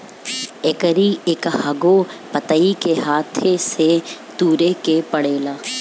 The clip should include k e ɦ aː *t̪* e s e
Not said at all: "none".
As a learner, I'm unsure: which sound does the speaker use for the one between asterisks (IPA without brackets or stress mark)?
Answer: t̪ʰ